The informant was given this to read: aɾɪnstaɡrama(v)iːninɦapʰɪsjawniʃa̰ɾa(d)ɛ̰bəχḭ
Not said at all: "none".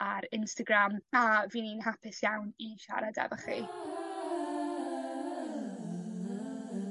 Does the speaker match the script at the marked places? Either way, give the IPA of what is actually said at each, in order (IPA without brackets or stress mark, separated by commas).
v, d